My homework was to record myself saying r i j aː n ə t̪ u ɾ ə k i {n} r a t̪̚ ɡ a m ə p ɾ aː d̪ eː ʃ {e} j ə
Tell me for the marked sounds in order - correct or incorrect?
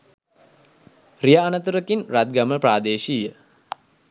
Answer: correct, incorrect: i

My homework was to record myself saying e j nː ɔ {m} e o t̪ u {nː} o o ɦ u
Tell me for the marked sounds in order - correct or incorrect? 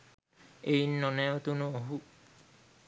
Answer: incorrect: n, incorrect: n

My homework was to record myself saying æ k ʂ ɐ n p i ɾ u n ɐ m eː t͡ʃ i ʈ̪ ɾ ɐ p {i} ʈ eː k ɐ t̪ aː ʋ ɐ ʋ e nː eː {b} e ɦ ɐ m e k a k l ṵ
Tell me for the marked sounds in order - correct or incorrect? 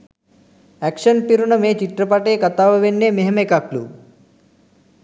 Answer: incorrect: a, incorrect: m

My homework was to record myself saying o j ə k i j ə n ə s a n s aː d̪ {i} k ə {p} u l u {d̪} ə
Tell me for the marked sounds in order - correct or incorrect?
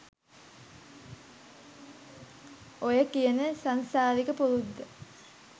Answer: correct, correct, incorrect: d̪ː

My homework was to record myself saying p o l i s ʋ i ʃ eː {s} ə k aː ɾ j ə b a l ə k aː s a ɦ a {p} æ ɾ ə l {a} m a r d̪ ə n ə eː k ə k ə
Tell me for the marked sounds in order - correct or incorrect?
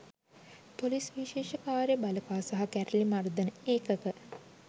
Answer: incorrect: ʃ, incorrect: k, incorrect: i

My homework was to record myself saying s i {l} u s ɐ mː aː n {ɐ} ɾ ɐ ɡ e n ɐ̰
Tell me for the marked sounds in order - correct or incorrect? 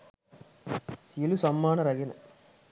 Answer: correct, correct

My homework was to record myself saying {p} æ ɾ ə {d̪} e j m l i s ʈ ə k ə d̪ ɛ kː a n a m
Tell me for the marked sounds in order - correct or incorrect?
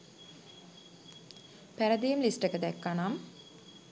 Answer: correct, correct

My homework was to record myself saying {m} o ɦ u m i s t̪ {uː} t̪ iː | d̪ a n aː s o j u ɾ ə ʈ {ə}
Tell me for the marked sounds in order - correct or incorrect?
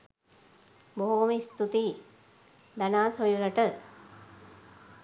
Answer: incorrect: b, incorrect: u, correct

